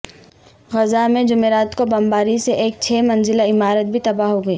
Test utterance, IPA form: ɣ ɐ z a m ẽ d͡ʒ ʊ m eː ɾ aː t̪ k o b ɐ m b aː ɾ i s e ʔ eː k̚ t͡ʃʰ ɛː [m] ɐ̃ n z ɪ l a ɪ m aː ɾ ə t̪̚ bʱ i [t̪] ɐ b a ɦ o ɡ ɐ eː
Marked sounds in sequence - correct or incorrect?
correct, correct

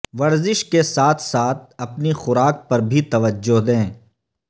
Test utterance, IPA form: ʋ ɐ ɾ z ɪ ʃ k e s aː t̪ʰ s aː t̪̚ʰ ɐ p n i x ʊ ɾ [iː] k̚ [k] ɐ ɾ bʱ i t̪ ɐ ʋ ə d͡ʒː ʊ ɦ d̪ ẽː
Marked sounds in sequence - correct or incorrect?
incorrect, incorrect

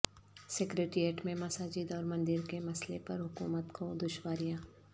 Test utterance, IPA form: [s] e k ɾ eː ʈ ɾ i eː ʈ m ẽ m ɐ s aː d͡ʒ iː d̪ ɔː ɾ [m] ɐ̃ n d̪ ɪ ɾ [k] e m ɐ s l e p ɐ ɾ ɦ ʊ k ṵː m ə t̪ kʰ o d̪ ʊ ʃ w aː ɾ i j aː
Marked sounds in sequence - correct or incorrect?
correct, correct, correct

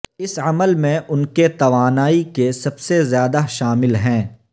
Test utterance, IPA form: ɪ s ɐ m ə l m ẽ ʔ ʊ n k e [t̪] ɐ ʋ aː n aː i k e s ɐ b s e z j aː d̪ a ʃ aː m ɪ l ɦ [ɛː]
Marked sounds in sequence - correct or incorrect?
correct, incorrect

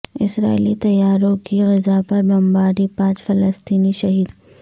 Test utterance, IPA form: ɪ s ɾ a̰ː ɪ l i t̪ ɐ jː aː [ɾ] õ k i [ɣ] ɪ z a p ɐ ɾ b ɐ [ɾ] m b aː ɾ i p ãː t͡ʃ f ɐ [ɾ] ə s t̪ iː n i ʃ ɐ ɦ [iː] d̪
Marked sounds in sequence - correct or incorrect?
correct, correct, incorrect, incorrect, correct

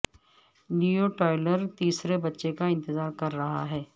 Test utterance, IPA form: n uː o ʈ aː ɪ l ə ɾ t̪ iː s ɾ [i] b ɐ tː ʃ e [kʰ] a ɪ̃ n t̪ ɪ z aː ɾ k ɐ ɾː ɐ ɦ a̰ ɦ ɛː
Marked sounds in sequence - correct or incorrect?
incorrect, incorrect

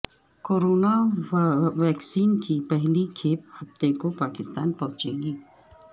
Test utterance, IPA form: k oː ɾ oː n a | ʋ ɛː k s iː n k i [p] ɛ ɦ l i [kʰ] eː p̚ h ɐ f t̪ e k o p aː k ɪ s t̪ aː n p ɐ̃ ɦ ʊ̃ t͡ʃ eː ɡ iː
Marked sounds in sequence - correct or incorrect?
correct, correct

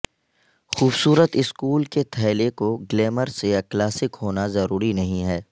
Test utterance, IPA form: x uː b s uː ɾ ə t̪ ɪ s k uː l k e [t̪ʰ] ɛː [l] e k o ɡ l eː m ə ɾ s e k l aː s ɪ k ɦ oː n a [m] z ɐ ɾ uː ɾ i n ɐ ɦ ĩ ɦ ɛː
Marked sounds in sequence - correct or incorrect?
correct, correct, incorrect

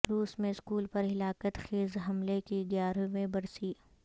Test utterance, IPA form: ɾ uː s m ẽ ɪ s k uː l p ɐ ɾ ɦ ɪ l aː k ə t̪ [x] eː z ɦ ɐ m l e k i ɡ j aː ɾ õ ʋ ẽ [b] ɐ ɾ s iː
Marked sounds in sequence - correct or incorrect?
correct, correct

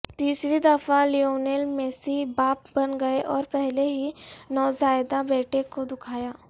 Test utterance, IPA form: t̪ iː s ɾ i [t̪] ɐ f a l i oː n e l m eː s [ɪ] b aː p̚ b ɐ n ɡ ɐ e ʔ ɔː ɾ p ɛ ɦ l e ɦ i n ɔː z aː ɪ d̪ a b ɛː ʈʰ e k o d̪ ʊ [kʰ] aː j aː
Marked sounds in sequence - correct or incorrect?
incorrect, incorrect, correct

